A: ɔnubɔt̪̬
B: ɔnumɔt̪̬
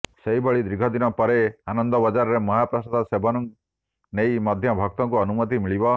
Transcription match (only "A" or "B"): B